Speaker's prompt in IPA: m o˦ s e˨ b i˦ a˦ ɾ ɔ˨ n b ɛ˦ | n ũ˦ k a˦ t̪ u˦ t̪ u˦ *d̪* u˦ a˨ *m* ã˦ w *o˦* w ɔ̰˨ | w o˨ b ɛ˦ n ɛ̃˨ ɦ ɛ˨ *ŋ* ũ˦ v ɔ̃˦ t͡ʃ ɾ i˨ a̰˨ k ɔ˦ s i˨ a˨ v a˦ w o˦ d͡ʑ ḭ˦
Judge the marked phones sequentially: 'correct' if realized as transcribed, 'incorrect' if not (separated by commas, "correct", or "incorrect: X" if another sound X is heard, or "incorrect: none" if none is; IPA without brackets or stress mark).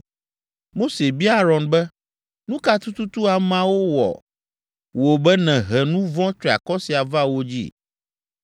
incorrect: t̪, correct, correct, incorrect: n